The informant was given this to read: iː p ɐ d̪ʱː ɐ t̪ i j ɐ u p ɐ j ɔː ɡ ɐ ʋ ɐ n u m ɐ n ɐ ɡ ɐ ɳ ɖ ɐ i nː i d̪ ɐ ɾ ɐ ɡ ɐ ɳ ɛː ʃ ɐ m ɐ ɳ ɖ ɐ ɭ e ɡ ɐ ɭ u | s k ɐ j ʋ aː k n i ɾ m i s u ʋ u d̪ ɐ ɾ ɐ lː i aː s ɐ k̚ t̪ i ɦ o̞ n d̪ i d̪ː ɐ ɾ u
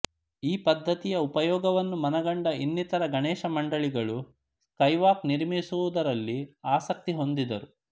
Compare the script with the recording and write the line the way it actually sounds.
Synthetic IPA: iː p ɐ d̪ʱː ɐ t̪ i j ɐ u p ɐ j ɔː ɡ ɐ ʋ ɐ nː u m ɐ n ɐ ɡ ɐ ɳ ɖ ɐ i nː i t̪ ɐ ɾ ɐ ɡ ɐ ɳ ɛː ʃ ɐ m ɐ ɳ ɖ ɐ ɭ i ɡ ɐ ɭ u | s k ɐ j ʋ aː k n i ɾ m i s u ʋ u d̪ ɐ ɾ ɐ lː i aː s ɐ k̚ t̪ i ɦ o̞ n d̪ i d̪ ɐ ɾ u